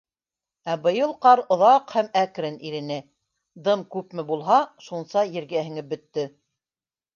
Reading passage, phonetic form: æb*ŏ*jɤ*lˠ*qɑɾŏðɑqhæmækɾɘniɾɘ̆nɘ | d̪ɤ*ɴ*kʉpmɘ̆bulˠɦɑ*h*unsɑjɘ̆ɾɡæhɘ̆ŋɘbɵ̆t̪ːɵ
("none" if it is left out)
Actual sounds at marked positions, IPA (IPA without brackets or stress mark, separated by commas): ɤ̆, lˠ, m, ʃ